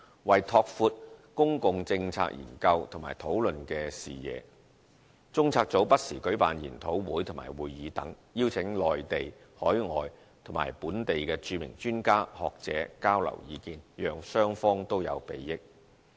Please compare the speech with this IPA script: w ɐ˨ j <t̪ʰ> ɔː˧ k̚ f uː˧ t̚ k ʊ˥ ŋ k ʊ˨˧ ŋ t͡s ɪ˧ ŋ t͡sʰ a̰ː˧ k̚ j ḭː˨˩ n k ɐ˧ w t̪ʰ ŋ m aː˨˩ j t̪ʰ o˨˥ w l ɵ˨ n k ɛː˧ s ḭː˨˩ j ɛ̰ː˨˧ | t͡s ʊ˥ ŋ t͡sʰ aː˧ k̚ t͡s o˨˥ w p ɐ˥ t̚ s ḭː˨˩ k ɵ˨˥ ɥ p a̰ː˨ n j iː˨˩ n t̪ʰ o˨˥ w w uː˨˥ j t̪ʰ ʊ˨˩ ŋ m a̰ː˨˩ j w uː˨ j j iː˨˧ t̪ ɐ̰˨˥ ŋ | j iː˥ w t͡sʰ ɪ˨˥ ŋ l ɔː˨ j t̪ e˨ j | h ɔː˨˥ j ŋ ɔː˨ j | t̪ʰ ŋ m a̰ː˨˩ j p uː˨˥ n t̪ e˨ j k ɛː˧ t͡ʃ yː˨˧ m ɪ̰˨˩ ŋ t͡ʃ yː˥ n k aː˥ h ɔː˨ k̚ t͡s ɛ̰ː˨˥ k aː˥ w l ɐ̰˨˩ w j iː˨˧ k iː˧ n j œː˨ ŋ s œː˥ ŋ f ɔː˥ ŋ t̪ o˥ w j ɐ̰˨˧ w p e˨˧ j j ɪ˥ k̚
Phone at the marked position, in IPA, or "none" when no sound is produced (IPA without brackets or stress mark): t̪ʰ